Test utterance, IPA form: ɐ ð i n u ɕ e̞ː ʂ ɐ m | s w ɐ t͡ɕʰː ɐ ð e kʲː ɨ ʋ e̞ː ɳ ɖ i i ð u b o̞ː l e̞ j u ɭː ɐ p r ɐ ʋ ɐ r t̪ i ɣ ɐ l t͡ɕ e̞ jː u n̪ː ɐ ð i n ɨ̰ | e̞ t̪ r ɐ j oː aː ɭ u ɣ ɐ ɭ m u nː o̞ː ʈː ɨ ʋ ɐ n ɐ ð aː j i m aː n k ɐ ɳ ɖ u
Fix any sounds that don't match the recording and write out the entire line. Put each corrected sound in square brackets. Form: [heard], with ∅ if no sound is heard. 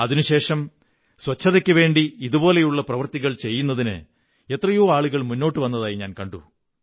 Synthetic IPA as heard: ɐ ð i n u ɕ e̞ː ʂ ɐ m | s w ɐ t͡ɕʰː ɐ ð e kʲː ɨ ʋ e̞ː ɳ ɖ i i ð u b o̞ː l e̞ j u ɭː ɐ p r ɐ ʋ ɐ r t̪ i ɣ ɐ [ɭ] t͡ɕ e̞ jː u n̪ː ɐ ð i n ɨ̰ | e̞ t̪ r ɐ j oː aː ɭ u ɣ ɐ ɭ m u nː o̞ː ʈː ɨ ʋ ɐ [nː] ɐ ð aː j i [ɲ] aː n k ɐ ɳ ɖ u